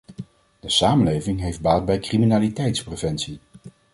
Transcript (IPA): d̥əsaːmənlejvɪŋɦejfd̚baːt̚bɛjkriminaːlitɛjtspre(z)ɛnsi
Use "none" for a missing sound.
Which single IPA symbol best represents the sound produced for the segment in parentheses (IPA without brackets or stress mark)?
v